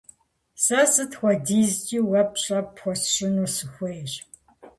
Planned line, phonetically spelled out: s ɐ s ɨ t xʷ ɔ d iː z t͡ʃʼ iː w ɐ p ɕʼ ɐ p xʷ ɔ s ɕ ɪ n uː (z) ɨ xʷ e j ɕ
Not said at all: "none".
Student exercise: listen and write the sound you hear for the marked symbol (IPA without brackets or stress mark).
s